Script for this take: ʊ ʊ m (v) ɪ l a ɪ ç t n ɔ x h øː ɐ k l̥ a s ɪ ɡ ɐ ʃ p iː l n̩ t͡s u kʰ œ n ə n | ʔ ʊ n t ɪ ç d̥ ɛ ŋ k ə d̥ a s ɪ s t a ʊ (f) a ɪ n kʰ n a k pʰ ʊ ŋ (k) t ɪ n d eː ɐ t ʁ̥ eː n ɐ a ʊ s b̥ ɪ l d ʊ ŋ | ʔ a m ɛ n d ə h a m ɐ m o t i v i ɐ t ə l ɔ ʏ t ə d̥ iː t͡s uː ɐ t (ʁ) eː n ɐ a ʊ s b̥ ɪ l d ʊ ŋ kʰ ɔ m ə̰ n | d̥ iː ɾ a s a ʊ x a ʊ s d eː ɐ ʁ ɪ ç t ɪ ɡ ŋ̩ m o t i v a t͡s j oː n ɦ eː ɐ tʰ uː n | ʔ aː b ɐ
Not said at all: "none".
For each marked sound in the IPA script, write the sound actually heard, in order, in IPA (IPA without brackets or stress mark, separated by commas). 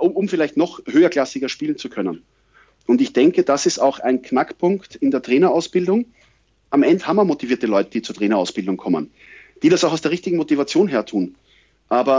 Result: f, x, k, ʁ